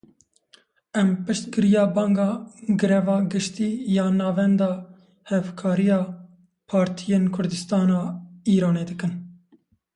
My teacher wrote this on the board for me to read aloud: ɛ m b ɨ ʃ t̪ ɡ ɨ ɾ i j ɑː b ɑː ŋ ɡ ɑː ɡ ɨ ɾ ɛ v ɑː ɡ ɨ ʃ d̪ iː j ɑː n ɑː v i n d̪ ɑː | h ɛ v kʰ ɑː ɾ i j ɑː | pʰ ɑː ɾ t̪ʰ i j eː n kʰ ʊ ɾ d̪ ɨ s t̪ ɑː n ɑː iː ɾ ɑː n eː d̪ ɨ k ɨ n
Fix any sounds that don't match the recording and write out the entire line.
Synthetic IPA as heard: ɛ m p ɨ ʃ t̪ ɡ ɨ ɾ i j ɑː b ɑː ŋ ɡ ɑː ɡ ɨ ɾ ɛ v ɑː ɡ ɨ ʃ t̪ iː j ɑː n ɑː v ɛ n d̪ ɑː | h ɛ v kʰ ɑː ɾ i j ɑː | pʰ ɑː ɾ t̪ʰ i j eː n kʰ ʊ ɾ d̪ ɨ s t̪ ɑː n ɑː iː ɾ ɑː n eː d̪ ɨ k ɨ n